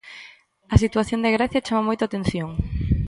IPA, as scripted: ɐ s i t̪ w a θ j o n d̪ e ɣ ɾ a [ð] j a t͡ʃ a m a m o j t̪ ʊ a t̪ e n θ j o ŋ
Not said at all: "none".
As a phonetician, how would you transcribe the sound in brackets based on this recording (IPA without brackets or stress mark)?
θ